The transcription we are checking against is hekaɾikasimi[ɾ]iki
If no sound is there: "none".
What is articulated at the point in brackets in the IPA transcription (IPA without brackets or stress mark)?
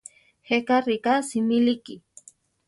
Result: l